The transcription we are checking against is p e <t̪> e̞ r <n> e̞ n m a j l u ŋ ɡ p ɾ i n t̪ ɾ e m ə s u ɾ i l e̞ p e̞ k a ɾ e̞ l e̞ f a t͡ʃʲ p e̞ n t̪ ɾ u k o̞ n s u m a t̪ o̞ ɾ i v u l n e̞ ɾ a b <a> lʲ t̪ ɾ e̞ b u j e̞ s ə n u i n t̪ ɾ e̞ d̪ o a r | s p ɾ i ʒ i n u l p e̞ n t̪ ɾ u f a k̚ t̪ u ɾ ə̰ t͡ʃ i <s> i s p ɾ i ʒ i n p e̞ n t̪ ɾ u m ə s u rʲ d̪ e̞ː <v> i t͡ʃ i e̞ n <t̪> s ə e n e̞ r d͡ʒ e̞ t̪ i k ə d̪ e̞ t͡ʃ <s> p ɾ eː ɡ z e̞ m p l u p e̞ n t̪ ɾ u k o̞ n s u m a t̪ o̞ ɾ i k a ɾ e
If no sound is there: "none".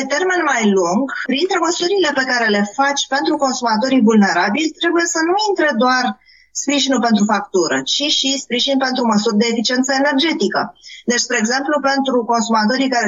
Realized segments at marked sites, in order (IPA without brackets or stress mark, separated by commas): t̪, m, i, ʃ, f, t̪, s